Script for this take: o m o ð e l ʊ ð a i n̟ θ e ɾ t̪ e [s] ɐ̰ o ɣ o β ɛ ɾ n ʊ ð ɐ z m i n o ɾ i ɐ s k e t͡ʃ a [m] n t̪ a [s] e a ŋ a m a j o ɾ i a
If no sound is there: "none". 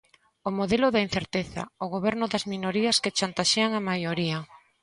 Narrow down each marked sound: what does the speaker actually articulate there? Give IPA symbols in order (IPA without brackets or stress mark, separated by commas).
θ, none, ʃ